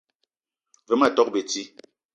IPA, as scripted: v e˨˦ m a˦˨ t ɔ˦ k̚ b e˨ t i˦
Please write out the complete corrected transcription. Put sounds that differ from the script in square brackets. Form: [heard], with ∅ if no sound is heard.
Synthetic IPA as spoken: v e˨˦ m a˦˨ t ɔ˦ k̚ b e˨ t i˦